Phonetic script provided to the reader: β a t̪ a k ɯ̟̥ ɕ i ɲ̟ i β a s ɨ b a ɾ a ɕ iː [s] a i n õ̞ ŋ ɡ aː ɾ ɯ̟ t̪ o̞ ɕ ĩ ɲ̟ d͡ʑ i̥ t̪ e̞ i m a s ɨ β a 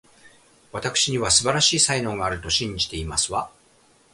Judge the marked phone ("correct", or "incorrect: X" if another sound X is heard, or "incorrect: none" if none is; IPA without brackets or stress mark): correct